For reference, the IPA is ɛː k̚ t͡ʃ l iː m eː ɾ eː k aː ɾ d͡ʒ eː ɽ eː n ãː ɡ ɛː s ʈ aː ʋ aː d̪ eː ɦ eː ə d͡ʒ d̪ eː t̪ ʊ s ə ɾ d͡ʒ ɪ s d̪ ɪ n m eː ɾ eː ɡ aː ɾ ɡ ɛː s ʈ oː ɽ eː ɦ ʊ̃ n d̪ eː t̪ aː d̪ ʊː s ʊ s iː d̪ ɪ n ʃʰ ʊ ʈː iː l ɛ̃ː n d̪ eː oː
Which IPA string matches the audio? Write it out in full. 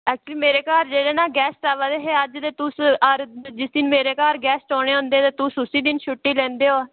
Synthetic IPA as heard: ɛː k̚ t͡ʃ l iː m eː ɾ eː k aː ɾ d͡ʒ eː ɽ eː n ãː ɡ ɛː s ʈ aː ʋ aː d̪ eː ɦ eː ə d͡ʒ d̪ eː t̪ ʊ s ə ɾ d͡ʒ ɪ s d̪ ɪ n m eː ɾ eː k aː ɾ ɡ ɛː s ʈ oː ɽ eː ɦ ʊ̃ n d̪ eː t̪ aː t̪ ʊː s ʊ s iː d̪ ɪ n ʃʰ ʊ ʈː iː l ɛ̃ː n d̪ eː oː